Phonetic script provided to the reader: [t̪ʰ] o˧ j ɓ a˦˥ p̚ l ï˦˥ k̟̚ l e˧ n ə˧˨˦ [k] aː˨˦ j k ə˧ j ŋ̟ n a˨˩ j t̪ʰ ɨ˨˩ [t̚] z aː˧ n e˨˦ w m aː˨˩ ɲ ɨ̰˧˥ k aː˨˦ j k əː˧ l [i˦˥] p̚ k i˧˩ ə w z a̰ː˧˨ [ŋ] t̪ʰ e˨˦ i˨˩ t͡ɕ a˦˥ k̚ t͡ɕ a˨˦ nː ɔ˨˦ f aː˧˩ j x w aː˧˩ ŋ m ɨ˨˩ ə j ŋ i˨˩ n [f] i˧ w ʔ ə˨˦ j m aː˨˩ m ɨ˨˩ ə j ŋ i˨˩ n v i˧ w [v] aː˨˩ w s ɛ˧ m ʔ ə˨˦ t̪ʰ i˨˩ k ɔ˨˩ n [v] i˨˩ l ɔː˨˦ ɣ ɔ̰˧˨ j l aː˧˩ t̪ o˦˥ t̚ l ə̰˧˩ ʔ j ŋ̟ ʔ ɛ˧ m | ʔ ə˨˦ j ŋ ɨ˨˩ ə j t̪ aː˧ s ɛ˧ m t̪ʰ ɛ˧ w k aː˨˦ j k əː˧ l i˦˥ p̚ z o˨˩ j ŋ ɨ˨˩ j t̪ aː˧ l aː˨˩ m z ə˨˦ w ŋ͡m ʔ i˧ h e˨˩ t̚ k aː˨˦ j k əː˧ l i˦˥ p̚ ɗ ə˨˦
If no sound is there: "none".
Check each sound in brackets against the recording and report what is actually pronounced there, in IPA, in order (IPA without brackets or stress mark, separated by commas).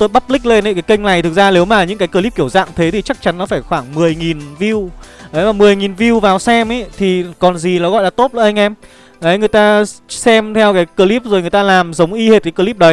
t̪, k, k̚, i˦˥, ŋ, v, v, z